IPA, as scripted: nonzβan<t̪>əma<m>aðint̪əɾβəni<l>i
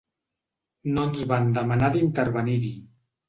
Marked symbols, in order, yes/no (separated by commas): no, no, no